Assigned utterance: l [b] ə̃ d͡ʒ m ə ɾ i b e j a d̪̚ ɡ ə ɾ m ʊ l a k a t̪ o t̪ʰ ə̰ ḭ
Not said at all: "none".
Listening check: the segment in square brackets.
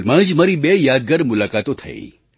m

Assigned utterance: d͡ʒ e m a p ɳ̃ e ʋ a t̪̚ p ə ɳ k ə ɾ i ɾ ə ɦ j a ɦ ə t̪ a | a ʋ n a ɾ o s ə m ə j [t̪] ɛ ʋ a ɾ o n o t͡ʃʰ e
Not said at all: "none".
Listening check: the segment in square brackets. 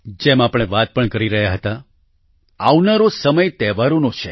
t̪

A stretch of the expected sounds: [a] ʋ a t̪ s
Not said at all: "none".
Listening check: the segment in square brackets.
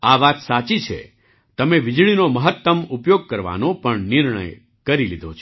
a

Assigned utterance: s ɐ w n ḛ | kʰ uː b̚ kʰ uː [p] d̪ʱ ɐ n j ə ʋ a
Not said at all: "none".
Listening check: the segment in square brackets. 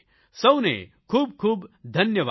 b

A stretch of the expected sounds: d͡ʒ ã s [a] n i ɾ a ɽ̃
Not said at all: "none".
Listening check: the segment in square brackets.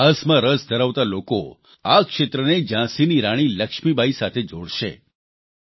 i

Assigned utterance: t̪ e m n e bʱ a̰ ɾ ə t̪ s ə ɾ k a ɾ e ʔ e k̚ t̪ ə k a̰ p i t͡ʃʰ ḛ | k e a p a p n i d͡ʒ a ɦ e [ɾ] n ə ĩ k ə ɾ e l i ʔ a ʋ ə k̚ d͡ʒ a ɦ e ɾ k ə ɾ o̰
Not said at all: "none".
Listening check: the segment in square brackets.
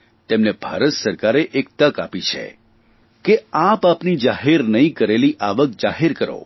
ɾ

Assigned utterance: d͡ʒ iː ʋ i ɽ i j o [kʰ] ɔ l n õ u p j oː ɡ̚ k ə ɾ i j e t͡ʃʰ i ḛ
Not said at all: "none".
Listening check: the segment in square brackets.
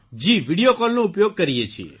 k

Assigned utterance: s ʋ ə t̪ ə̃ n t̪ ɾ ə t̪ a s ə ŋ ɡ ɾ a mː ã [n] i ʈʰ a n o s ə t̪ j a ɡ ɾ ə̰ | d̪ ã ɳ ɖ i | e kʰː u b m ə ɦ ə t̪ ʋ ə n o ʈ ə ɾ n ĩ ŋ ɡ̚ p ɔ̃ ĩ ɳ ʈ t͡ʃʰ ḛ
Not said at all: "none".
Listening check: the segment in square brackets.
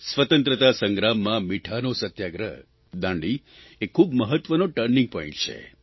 m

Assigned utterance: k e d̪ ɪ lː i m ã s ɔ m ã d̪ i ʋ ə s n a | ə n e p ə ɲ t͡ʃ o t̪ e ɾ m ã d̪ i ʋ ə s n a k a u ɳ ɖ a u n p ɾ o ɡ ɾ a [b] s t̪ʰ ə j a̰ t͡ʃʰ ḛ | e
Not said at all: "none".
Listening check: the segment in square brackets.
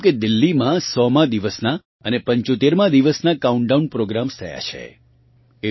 m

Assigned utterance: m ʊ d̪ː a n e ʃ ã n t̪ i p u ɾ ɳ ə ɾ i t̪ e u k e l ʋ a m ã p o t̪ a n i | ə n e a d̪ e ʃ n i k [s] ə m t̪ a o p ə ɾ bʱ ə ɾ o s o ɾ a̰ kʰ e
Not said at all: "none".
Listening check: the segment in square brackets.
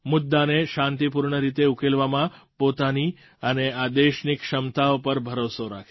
ʃ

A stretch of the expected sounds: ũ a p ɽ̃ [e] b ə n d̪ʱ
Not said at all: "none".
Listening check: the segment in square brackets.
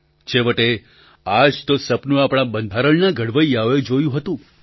a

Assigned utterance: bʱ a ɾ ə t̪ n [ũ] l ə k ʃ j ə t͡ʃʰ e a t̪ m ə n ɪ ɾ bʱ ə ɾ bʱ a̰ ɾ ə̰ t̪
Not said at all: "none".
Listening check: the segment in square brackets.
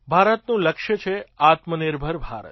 ũ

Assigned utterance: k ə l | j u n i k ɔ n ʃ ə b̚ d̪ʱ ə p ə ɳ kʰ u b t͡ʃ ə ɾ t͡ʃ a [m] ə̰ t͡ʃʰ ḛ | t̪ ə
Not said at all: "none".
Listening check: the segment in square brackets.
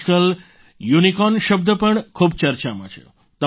m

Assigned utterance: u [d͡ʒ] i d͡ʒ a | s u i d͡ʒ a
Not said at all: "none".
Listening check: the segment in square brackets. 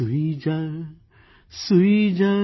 none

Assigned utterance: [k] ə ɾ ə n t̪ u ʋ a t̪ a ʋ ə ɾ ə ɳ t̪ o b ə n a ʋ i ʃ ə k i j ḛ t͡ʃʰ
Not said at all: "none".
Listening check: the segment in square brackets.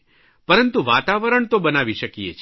p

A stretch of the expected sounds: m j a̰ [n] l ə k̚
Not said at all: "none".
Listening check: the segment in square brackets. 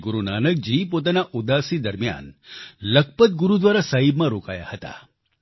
n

